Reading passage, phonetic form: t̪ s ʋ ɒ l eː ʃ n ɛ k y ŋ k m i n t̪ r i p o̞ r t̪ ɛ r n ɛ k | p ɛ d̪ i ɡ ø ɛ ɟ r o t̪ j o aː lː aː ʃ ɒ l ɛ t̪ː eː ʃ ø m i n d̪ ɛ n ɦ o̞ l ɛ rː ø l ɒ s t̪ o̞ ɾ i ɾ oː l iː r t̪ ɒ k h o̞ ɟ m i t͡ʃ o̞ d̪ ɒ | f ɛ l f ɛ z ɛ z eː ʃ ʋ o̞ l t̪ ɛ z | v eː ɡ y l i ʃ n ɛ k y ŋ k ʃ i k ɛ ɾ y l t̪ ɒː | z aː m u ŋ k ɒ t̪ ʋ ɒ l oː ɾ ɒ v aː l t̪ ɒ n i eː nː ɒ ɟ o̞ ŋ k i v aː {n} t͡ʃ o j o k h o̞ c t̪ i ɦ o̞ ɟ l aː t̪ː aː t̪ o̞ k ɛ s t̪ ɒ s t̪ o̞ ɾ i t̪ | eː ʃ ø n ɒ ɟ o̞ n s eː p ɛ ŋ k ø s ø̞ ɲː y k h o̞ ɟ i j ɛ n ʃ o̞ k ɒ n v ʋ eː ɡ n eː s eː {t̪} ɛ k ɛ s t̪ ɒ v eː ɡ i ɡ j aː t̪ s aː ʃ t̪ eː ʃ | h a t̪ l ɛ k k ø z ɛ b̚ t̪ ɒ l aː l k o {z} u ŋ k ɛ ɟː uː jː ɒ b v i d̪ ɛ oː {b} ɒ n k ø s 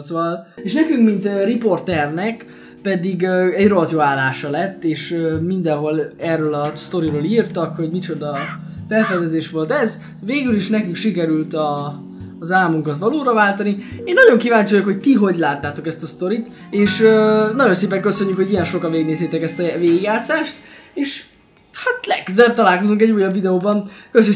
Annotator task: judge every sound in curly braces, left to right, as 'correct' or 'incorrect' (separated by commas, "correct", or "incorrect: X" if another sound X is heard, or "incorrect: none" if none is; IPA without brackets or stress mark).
incorrect: ɲ, correct, correct, correct